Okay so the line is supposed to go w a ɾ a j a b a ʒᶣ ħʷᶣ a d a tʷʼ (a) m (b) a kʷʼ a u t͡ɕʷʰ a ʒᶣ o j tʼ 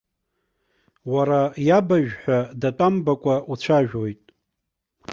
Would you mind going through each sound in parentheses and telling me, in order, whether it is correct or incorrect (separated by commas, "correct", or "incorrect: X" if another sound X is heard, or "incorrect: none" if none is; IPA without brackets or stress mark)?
correct, correct